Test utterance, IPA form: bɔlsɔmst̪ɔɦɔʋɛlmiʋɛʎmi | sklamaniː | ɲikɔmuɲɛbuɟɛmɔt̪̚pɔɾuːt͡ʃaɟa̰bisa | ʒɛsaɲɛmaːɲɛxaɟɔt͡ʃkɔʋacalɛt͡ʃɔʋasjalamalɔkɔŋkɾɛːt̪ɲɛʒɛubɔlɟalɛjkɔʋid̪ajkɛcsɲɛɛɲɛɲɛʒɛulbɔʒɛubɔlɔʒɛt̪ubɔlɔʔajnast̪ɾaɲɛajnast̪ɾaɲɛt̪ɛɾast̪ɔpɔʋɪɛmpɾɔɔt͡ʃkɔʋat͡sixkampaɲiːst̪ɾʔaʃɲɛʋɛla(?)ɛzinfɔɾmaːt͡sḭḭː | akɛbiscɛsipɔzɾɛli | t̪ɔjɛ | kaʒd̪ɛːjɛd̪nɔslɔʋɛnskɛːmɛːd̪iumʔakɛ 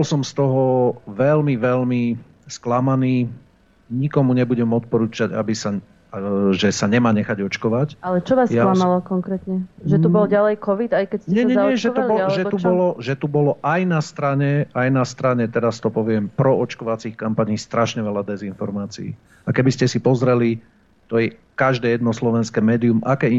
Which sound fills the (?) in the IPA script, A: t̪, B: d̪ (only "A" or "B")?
B